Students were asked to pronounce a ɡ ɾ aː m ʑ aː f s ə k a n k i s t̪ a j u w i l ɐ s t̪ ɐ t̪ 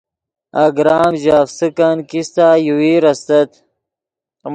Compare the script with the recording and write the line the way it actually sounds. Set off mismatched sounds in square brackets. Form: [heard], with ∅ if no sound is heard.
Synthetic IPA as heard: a ɡ ɾ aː m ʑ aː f s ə k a n k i s t̪ a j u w i [ɾ] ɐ s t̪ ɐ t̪

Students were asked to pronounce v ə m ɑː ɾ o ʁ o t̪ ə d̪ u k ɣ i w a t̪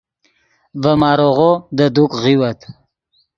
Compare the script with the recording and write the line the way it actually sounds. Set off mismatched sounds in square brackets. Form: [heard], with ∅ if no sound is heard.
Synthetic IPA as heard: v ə m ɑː ɾ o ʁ o [d̪] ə d̪ u k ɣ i w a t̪

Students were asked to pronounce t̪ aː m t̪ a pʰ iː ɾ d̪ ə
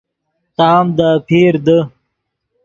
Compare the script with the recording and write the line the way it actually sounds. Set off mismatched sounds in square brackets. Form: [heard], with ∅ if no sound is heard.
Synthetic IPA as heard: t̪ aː m [d̪] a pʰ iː ɾ d̪ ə

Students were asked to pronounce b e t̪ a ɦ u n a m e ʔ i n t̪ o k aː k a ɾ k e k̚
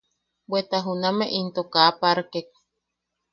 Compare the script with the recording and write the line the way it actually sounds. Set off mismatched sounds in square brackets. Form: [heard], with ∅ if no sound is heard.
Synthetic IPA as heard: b e t̪ a ɦ u n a m e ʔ i n t̪ o k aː [p] a ɾ k e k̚

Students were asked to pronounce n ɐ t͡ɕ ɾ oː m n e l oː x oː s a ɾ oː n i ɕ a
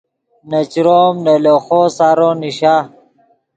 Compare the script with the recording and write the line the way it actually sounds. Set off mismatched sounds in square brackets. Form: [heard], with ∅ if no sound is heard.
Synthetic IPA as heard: n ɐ t͡ɕ ɾ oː m n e l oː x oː s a ɾ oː n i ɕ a

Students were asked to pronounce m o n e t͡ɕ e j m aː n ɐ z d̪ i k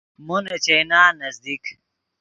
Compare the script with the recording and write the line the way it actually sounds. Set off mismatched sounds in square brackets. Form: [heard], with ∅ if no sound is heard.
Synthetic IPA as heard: m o n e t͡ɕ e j [n] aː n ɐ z d̪ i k

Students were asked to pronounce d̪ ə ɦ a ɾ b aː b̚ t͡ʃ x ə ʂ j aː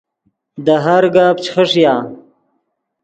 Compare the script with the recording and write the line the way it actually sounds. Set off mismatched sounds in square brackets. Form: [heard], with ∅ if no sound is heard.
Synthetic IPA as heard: d̪ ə ɦ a ɾ [ɡ] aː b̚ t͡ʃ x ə ʂ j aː

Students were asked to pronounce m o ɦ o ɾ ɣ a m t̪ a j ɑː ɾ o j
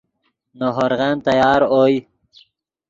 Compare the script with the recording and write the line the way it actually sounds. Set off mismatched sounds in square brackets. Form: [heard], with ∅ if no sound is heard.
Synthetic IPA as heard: [n] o ɦ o ɾ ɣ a [n] t̪ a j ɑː ɾ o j

